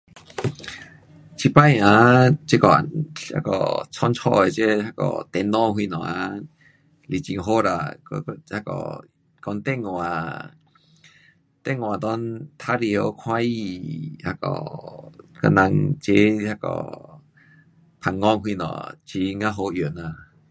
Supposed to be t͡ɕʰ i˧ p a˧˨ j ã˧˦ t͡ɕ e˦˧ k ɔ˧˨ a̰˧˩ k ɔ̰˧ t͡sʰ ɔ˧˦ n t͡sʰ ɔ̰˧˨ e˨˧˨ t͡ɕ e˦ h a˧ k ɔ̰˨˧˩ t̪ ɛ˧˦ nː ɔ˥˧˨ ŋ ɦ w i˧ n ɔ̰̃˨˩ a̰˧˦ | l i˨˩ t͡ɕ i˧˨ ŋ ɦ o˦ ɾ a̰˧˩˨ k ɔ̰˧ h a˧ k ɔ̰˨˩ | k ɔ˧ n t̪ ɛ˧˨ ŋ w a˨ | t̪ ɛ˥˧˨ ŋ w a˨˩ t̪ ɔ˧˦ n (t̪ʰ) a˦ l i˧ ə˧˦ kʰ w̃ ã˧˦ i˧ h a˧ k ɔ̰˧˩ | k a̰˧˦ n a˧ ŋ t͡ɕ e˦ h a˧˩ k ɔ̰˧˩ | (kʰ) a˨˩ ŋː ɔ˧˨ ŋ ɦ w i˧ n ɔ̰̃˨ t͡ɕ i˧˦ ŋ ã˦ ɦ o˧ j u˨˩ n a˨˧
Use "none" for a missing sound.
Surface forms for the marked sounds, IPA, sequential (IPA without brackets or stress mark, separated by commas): t̪ʰ, pʰ